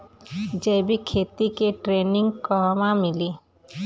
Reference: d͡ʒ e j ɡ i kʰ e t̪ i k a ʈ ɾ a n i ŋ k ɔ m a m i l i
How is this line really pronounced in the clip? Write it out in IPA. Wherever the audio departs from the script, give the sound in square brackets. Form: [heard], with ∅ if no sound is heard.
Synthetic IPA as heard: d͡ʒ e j [b] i kʰ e t̪ i k [e] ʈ ɾ [e] n i ŋ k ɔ m a m i l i